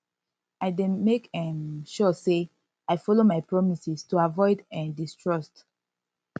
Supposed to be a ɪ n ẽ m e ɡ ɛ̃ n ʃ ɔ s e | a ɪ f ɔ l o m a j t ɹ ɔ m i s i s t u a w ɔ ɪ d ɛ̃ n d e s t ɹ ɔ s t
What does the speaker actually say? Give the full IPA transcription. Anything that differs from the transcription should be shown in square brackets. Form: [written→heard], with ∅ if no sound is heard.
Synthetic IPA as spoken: a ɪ [n→d] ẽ m e [ɡ→k] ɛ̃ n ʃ ɔ s e | a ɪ f ɔ l o m a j [t→p] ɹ ɔ m i s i s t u a [w→v] ɔ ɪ d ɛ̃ n d [e→i] s t ɹ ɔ s t